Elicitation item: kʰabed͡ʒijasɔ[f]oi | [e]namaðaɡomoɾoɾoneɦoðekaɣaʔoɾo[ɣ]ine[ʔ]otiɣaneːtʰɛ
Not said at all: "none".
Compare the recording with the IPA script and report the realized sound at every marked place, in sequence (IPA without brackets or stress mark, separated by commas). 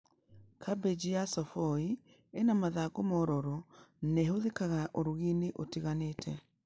f, e, ɣ, ʔ